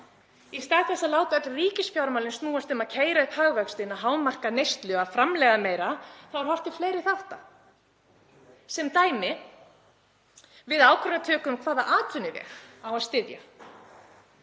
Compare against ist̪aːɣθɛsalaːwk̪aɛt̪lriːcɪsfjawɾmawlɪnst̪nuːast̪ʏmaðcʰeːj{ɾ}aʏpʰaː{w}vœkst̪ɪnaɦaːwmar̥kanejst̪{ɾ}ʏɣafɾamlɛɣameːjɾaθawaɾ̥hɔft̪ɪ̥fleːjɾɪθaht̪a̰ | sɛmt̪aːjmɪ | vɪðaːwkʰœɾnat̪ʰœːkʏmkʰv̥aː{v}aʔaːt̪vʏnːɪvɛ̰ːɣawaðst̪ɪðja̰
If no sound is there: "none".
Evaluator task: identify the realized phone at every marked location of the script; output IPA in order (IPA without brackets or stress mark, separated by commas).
ɾ, ɣ, l, ð